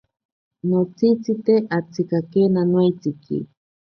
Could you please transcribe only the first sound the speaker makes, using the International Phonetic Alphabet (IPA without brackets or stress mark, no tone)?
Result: n